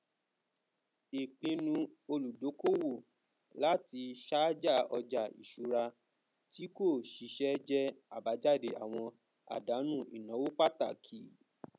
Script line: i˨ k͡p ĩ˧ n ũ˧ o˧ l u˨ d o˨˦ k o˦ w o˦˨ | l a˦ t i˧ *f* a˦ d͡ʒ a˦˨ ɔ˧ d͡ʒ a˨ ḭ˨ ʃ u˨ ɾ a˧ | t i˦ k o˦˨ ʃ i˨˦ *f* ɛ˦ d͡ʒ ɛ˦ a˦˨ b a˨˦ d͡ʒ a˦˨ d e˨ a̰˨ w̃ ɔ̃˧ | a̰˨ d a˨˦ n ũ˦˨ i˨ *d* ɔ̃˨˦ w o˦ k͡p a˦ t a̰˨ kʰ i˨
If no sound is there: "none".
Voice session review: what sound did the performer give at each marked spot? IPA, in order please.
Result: ʃ, ʃ, n

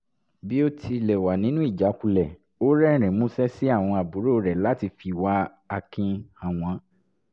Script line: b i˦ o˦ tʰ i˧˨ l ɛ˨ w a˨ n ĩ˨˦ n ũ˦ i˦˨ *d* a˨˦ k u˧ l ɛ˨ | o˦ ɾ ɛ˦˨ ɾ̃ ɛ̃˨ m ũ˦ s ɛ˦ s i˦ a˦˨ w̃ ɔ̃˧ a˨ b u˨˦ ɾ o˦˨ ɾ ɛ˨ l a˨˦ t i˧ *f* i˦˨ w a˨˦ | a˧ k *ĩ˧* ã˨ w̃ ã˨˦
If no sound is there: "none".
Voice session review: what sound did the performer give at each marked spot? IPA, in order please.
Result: d͡ʒ, f, ĩ˧

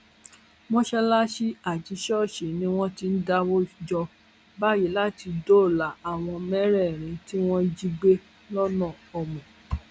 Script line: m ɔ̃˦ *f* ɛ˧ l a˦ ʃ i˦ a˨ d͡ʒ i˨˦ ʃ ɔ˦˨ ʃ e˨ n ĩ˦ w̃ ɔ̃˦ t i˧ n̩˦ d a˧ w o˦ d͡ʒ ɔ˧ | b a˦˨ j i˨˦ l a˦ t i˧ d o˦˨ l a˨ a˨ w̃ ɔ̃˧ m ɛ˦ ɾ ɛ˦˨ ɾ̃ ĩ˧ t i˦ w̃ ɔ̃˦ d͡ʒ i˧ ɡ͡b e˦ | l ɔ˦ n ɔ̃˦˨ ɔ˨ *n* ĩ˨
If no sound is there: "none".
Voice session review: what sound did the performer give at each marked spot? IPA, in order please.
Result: ʃ, m

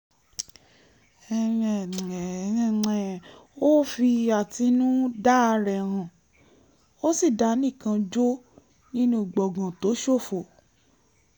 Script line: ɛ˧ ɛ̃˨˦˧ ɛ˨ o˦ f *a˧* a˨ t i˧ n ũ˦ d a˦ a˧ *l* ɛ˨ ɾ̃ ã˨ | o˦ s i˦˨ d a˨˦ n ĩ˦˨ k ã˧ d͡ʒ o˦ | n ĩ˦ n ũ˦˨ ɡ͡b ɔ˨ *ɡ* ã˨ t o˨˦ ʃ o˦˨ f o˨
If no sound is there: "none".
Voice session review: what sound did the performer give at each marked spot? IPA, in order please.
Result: i˧, ɾ, ɡ

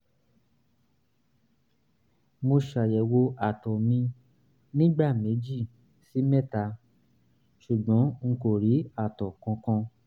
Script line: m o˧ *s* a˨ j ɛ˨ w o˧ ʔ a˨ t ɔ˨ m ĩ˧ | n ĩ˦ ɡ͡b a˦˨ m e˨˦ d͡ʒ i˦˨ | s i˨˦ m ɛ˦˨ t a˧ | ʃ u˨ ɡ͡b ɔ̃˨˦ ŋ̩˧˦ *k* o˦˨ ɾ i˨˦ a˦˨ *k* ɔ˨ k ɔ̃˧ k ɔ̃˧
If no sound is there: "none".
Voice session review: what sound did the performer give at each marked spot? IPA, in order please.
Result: ʃ, k, t

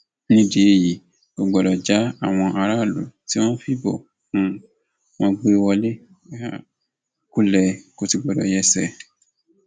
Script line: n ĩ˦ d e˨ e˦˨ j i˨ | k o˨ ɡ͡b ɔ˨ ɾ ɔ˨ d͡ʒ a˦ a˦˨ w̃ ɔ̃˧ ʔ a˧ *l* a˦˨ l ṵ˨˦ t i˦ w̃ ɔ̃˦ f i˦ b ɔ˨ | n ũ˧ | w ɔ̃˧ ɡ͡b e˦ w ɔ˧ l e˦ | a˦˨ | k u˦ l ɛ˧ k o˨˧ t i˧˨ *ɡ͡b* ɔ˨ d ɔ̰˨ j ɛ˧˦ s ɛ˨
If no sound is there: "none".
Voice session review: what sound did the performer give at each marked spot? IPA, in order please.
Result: ɾ, ɡ͡b

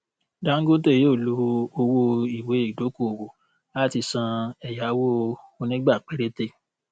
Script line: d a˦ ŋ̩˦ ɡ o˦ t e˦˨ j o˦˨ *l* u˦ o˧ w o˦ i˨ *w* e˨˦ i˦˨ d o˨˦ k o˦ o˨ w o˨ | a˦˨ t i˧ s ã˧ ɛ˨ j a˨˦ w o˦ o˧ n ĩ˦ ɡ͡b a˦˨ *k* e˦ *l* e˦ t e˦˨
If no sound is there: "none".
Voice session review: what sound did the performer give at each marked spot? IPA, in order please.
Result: l, w, k͡p, ɾ

